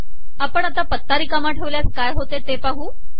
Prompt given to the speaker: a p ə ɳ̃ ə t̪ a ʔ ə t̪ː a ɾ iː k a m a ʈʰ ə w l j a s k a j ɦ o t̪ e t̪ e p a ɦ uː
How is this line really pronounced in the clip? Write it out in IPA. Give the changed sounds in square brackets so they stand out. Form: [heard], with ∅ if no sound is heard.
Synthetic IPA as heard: a p ə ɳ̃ [a] t̪ a [p] ə t̪ː a ɾ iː k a m a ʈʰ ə [ʋ] l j a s k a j ɦ o t̪ e t̪ e p a ɦ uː